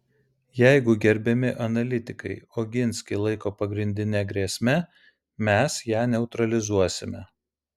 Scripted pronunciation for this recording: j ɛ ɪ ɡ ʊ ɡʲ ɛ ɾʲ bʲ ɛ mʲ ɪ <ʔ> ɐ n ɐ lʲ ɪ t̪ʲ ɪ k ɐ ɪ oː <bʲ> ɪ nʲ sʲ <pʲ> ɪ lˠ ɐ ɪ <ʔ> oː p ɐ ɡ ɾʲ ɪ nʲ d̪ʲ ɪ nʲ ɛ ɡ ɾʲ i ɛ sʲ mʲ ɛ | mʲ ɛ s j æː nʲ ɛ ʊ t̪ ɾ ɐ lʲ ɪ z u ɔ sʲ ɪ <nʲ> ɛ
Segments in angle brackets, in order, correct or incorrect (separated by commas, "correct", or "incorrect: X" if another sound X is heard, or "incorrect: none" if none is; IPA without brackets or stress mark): correct, incorrect: ɡʲ, incorrect: kʲ, incorrect: k, incorrect: mʲ